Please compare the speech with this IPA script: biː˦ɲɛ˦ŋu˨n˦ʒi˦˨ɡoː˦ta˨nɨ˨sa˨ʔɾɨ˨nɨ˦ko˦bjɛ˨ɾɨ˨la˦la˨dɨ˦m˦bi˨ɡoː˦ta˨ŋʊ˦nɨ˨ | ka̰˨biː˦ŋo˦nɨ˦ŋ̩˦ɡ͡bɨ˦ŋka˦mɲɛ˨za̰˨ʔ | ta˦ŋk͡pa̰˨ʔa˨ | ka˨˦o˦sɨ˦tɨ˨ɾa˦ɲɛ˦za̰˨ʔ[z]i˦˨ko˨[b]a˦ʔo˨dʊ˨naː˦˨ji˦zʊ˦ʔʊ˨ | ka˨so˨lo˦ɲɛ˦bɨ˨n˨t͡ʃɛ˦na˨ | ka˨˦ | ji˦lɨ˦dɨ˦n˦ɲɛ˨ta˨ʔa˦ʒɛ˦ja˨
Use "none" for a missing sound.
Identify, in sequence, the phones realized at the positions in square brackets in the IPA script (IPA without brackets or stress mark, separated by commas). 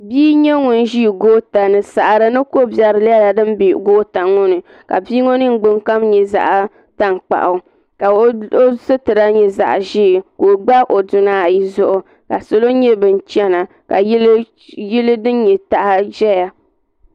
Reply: ʒ, ɡ͡b